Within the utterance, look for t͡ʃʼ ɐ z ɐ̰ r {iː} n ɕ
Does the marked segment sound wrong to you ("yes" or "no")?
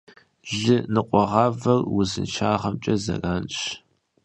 yes